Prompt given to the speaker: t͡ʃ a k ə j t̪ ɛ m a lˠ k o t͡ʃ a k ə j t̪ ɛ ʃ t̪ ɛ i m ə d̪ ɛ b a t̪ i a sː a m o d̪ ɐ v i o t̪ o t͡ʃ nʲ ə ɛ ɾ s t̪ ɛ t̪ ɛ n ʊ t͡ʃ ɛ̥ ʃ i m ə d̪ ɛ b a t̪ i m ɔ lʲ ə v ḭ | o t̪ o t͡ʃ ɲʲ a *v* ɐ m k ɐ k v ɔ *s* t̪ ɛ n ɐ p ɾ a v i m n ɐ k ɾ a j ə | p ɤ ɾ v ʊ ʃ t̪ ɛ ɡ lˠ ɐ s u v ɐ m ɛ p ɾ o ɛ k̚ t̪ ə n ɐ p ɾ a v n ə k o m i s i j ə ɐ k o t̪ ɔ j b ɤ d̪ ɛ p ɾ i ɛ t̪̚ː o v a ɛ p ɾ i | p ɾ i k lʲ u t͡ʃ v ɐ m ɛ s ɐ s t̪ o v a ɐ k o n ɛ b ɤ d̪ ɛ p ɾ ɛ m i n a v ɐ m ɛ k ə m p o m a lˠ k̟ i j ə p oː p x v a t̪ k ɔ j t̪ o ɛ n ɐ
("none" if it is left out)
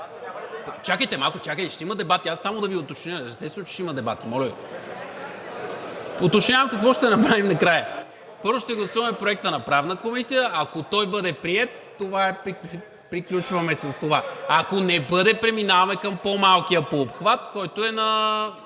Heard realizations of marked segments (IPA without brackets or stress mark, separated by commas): v, ʃ